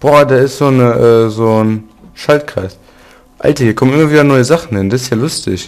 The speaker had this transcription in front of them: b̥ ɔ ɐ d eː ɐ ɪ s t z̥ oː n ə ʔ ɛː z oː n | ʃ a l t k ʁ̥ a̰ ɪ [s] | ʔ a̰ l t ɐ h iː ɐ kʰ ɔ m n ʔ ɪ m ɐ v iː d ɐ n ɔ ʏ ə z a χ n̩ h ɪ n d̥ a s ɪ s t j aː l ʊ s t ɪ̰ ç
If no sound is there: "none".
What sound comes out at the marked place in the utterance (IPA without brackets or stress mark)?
s